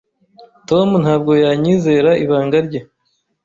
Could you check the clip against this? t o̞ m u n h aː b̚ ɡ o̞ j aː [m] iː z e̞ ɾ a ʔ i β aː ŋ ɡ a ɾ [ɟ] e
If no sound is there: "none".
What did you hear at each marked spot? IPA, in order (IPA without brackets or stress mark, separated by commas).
ɲ, ɟ